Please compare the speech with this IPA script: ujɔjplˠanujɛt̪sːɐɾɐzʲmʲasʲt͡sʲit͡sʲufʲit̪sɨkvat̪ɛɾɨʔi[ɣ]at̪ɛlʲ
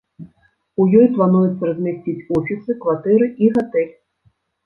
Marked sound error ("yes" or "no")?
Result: no